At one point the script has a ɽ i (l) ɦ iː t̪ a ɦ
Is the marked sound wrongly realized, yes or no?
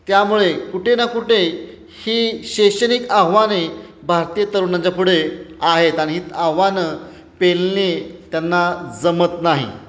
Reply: yes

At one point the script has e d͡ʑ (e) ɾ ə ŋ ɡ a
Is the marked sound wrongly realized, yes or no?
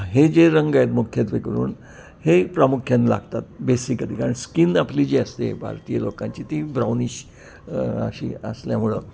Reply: no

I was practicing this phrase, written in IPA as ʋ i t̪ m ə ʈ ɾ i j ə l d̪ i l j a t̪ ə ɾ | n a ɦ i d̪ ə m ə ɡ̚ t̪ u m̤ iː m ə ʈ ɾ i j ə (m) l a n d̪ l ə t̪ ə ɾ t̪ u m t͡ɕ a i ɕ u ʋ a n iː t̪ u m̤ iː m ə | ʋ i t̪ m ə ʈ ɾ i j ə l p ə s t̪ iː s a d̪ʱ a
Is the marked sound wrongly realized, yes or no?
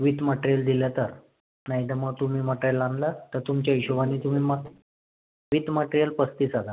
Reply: yes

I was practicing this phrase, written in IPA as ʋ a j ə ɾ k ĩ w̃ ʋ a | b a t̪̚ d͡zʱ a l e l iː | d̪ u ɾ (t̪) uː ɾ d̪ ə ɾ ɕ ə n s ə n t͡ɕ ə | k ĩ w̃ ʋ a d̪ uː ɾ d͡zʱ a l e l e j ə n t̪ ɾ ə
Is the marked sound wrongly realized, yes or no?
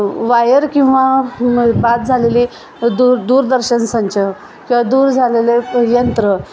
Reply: yes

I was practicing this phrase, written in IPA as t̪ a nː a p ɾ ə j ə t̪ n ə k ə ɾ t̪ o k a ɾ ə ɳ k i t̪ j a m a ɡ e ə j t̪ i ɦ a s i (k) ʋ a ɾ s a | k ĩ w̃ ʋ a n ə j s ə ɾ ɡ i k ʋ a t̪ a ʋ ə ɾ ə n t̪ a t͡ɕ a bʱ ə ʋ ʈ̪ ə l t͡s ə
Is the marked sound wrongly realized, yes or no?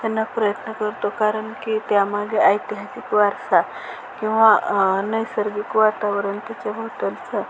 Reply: no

